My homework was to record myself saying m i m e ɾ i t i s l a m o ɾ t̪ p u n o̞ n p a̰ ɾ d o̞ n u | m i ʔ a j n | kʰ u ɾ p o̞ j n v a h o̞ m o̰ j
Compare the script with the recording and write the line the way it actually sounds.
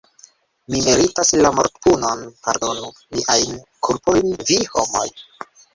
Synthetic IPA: m i m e ɾ i t a s l a m o ɾ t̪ p u n o̞ n p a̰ ɾ d o̞ n u | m i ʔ a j n | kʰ u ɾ p o̞ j n v i h o̞ m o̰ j